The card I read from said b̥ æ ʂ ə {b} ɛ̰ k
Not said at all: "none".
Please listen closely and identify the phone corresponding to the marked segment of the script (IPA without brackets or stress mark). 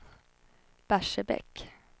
b